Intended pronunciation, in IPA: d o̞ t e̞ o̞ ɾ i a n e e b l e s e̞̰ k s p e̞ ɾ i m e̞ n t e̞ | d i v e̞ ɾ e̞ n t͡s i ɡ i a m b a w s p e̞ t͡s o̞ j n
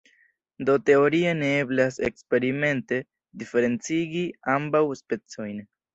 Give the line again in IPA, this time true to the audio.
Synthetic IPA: d o̞ t e̞ o̞ ɾ i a n e e b l a s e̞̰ k s p e̞ ɾ i m e̞ n t e̞ | d i f e̞ ɾ e̞ n t͡s i ɡ i a m b a w s p e̞ t͡s o̞ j n